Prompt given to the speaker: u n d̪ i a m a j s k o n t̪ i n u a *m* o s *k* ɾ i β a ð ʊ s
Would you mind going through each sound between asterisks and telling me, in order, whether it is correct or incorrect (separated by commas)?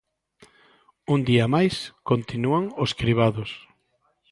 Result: incorrect, correct